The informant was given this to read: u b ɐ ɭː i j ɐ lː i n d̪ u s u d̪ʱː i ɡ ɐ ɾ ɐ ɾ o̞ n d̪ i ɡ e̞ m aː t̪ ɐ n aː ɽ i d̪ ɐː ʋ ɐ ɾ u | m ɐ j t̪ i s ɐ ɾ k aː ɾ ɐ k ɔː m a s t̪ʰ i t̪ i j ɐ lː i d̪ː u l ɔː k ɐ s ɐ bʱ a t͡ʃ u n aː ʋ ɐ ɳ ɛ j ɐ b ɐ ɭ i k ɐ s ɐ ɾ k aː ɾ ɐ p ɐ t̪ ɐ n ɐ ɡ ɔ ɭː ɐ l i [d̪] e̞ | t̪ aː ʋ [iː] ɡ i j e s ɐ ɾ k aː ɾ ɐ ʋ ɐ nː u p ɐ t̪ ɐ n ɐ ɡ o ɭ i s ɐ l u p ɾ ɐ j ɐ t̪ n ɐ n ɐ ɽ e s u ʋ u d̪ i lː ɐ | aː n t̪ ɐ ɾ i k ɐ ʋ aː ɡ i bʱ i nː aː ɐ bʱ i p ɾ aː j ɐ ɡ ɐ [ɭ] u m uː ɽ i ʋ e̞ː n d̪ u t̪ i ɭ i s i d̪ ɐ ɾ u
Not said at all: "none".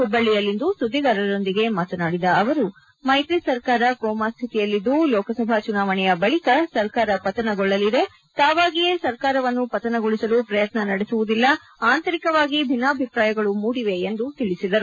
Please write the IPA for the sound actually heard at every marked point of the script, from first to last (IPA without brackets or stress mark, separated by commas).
d̪, aː, ɭ